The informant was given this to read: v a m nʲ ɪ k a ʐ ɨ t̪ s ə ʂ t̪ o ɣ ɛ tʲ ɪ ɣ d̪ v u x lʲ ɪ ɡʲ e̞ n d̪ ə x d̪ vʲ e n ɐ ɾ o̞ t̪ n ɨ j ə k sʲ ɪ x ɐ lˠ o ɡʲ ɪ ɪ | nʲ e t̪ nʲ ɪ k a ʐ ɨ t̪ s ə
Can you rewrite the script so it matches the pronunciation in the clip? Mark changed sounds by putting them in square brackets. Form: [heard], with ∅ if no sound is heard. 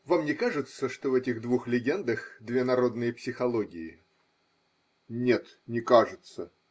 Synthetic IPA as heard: v a m nʲ ɪ k a ʐ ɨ t̪ s ə ʂ t̪ o [v] ɛ tʲ ɪ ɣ d̪ v u x lʲ ɪ ɡʲ e̞ n d̪ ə x d̪ vʲ e n ɐ ɾ o̞ [d̪] n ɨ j ə [p] sʲ ɪ x ɐ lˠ o ɡʲ ɪ ɪ | nʲ e t̪ nʲ ɪ k a ʐ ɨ t̪ s ə

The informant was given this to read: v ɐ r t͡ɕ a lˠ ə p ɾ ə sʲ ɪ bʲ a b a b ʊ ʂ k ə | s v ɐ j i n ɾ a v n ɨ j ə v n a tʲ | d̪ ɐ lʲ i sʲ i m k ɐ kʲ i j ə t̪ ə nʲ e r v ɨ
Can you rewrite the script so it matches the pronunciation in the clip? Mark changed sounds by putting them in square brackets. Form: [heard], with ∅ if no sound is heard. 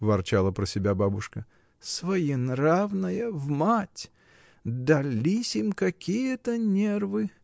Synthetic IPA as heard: v ɐ r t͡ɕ a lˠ ə p ɾ ə sʲ ɪ bʲ a b a b ʊ ʂ k ə | s v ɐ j i n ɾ a v n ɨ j ə v [m] a tʲ | d̪ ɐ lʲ i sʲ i m k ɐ kʲ i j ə t̪ ə nʲ e r v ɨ

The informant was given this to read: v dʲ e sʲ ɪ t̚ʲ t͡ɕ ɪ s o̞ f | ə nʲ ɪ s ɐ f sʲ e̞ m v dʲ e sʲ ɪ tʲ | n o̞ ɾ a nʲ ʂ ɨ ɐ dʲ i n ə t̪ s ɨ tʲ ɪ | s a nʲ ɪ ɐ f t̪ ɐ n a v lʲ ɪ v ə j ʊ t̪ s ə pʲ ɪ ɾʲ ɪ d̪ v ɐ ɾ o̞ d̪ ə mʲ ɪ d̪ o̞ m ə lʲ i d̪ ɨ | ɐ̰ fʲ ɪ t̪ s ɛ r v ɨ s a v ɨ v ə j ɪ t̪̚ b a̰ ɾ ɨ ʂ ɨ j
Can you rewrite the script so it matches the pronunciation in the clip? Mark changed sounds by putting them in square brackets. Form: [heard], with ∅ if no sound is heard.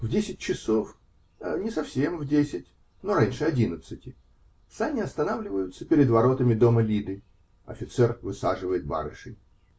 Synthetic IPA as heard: v dʲ e sʲ ɪ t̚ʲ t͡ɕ ɪ s o̞ f | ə nʲ ɪ s ɐ f sʲ e̞ m v dʲ e sʲ ɪ tʲ | n o̞ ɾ a nʲ ʂ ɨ ɐ dʲ i n ə t̪ s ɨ tʲ ɪ | s a nʲ ɪ ɐ [s] t̪ ɐ n a v lʲ ɪ v ə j ʊ t̪ s ə pʲ ɪ ɾʲ ɪ d̪ v ɐ ɾ o̞ [t̪] ə mʲ ɪ d̪ o̞ m ə lʲ i d̪ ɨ | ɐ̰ fʲ ɪ t̪ s ɛ r v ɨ s a [ʐ] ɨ v ə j ɪ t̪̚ b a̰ ɾ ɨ ʂ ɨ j

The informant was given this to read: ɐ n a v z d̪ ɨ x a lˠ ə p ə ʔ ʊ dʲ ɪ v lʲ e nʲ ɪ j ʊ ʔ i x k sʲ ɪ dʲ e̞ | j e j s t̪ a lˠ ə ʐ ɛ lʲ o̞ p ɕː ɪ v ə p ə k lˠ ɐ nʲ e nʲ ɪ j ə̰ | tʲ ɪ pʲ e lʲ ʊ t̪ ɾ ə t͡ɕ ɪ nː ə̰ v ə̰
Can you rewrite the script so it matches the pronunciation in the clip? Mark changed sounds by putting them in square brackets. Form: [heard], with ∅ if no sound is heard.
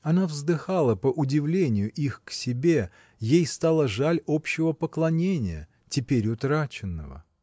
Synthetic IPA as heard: ɐ n a v z d̪ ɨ x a lˠ ə p ə ʔ ʊ dʲ ɪ v lʲ e nʲ ɪ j ʊ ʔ i x k sʲ ɪ [bʲ] e̞ | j e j s t̪ a lˠ ə ʐ [a] lʲ o̞ p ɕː ɪ v ə p ə k lˠ ɐ nʲ e nʲ ɪ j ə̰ | tʲ ɪ pʲ e [ɾʲ] ʊ t̪ ɾ [a] t͡ɕ ɪ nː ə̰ v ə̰

